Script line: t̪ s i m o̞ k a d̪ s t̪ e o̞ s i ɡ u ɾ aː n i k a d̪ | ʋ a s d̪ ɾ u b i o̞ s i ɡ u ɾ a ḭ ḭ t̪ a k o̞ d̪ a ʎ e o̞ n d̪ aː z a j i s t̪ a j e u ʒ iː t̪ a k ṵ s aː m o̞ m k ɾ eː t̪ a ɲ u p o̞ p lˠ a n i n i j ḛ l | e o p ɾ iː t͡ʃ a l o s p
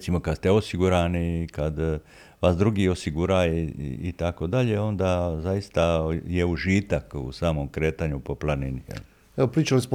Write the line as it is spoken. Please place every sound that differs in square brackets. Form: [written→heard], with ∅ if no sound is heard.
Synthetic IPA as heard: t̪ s i m o̞ k a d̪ s t̪ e o̞ s i ɡ u ɾ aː n i k a d̪ | ʋ a s d̪ ɾ u [b→ɡ] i o̞ s i ɡ u ɾ a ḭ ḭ t̪ a k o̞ d̪ a ʎ e o̞ n d̪ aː z a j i s t̪ a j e u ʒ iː t̪ a k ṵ s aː m o̞ m k ɾ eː t̪ a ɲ u p o̞ p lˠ a n i n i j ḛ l | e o p ɾ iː t͡ʃ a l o s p